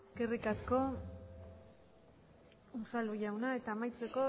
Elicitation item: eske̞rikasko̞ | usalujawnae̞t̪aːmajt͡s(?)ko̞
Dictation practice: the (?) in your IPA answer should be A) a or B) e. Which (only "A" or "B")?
B